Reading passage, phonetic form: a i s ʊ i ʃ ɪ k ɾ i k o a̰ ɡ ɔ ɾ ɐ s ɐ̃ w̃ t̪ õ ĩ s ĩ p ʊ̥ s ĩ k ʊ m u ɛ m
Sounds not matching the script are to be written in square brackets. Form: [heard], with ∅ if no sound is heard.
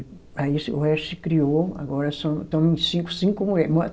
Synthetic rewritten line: a i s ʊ [ɛ] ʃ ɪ k ɾ i [∅] o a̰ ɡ ɔ ɾ ɐ s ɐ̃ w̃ t̪ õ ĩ s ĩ [k] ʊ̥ s ĩ k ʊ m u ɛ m